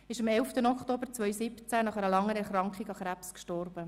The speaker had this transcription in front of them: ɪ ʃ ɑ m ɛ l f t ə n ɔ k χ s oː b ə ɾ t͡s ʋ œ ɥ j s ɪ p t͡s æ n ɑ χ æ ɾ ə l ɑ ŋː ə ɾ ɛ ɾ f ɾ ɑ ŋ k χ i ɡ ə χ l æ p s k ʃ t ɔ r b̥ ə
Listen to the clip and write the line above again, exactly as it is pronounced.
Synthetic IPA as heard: ɪ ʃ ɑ m ɛ l f t ə n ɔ k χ t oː b ə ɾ t͡s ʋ œ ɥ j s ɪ p t͡s æ n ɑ χ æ ɾ ə l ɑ ŋː ə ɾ ɛ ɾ χ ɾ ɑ ŋ k χ i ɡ ɑ χ ɾ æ p s k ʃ t ɔ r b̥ ə